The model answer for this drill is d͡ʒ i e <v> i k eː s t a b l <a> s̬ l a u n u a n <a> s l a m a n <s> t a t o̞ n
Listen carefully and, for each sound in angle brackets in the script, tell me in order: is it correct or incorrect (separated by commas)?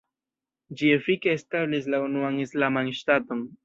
incorrect, incorrect, incorrect, incorrect